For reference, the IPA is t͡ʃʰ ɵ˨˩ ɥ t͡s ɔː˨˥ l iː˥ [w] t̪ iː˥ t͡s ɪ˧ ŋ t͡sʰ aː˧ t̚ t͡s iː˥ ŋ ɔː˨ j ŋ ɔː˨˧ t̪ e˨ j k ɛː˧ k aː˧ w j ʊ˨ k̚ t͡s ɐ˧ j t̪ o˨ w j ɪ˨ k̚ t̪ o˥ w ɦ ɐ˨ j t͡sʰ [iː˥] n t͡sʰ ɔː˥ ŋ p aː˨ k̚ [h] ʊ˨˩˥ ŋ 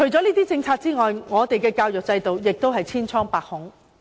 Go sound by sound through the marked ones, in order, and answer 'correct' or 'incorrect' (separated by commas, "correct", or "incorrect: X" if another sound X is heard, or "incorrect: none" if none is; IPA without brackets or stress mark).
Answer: incorrect: none, correct, correct